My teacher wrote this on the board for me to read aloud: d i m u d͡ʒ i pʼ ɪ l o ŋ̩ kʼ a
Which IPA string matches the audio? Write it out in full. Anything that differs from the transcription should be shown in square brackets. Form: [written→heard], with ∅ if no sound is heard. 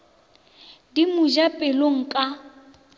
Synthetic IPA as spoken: d i m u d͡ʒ [i→a] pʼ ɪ l o ŋ̩ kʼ a